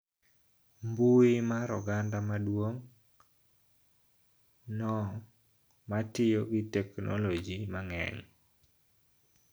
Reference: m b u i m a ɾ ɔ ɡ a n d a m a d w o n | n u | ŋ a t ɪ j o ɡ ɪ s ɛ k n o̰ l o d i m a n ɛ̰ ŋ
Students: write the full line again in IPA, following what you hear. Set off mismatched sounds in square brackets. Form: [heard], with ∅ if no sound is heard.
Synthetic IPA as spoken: m b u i m a ɾ ɔ ɡ a n d a m a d w o [ŋ] | n [ɔ] | [m] a t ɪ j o ɡ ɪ [t] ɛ k n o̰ l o [d͡ʒ] i m a [ŋ] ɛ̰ ŋ